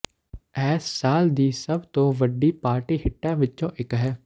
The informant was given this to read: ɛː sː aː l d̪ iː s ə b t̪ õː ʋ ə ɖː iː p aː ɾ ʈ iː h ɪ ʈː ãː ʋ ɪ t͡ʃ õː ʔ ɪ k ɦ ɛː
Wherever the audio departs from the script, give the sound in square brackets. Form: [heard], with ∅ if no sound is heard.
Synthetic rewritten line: ɛː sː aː l d̪ iː s ə b t̪ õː ʋ ə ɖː iː p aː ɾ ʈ iː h ɪ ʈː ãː ʋ ɪ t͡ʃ õː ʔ ɪ k ɦ ɛː